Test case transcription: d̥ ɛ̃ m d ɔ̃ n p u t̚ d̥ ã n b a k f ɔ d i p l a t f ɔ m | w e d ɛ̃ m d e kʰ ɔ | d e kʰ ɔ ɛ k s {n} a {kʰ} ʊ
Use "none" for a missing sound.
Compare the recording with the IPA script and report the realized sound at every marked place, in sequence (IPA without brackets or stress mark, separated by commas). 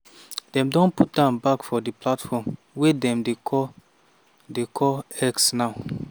n, none